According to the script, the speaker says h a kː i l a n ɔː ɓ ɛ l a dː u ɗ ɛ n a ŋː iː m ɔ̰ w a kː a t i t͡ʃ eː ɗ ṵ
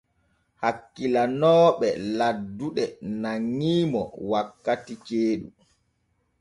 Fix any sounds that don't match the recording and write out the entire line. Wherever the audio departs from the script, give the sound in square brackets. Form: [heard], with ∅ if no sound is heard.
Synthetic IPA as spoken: h a kː i l a n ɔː ɓ ɛ l a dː u ɗ ɛ n a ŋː iː m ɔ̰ w a kː a t i t͡ʃ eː ɗ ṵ